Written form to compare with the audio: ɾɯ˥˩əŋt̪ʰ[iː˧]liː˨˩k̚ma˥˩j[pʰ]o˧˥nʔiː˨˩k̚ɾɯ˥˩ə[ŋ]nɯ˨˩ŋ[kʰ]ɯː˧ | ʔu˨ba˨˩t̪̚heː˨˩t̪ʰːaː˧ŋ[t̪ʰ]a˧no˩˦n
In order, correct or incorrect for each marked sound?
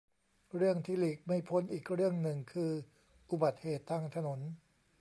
incorrect: iː˥˩, correct, correct, correct, correct

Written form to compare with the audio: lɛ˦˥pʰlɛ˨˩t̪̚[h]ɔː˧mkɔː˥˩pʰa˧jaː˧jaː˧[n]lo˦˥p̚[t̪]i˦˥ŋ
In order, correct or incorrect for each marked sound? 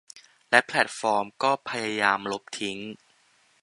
incorrect: f, incorrect: m, incorrect: t̪ʰ

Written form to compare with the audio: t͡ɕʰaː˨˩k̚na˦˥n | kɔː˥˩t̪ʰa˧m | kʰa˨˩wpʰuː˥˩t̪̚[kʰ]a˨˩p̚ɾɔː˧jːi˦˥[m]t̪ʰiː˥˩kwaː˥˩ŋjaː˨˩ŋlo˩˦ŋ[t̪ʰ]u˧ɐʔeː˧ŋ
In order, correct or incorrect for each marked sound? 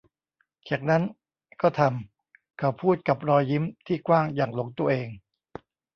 incorrect: k, correct, incorrect: t̪

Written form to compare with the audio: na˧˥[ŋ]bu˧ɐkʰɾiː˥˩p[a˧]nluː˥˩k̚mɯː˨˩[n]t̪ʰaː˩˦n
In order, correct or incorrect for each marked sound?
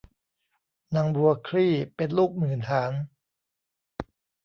correct, incorrect: e˧, correct

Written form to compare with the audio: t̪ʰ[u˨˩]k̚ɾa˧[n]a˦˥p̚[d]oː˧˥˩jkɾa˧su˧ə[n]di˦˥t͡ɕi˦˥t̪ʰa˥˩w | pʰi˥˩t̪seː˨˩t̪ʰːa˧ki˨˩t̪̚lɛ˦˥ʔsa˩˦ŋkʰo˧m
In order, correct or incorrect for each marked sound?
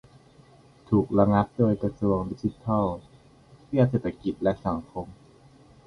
incorrect: uː˨˩, incorrect: ŋ, correct, incorrect: ŋ

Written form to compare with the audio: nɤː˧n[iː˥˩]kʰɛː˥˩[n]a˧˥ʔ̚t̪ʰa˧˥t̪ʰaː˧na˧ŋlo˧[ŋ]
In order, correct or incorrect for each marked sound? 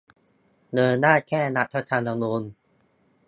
incorrect: aː˥˩, correct, incorrect: n

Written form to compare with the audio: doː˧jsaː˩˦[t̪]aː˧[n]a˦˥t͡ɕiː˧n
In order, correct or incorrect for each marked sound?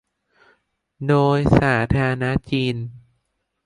incorrect: t̪ʰ, correct

